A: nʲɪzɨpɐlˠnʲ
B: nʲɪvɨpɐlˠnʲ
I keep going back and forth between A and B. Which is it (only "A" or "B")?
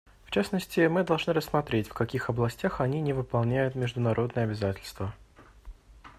B